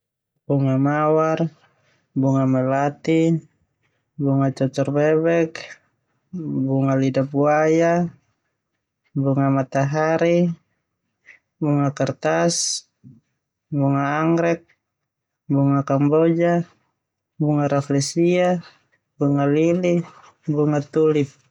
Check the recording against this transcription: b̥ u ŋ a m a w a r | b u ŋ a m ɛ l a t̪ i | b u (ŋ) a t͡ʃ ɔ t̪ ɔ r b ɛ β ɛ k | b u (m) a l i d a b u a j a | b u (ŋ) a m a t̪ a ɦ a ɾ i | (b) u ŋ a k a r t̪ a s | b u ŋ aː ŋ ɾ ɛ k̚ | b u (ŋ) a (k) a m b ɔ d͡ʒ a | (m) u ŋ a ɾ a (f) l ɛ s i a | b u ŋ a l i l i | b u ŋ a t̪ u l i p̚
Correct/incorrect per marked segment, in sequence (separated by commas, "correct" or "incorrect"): correct, incorrect, correct, correct, correct, correct, incorrect, correct